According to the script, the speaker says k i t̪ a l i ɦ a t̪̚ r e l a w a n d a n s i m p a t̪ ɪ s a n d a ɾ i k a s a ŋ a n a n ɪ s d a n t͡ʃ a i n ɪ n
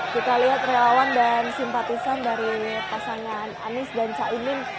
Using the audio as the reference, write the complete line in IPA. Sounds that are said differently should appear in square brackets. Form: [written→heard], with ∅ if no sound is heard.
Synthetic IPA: k i t̪ a l i ɦ a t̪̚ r e l a w a n d a n s i m p a t̪ [ɪ→i] s a n d a ɾ i [k→p] a s a ŋ a n a n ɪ s d a n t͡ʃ a i n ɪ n